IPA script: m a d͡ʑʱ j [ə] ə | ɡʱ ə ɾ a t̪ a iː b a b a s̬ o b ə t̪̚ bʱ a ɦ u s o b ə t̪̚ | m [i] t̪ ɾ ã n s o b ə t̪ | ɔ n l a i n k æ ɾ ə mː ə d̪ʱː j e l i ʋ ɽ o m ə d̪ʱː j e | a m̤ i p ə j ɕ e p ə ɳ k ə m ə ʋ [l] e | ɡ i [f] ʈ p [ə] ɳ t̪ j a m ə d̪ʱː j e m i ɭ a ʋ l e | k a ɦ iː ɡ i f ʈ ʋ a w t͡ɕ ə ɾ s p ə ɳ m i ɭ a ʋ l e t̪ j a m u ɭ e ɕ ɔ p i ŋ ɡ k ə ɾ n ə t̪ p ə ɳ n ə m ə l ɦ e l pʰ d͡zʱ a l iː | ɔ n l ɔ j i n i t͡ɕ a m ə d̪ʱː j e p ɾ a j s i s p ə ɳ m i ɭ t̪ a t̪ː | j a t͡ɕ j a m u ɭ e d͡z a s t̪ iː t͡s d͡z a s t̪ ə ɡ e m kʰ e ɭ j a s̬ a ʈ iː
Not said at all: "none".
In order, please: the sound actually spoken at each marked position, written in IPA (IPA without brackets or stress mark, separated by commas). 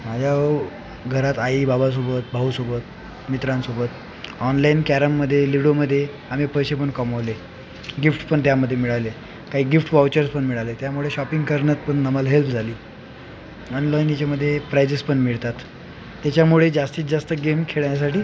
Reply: a, i, l, f, ə